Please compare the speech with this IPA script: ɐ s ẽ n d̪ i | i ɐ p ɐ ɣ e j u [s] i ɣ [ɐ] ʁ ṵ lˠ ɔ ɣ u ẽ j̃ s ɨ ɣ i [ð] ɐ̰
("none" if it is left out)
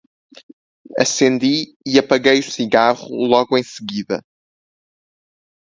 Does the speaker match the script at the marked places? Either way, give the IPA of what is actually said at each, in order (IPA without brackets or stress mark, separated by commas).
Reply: s, a, ð